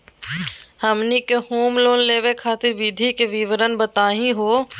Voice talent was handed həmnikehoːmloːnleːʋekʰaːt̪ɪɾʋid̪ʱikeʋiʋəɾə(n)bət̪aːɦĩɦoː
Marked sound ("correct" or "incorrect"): correct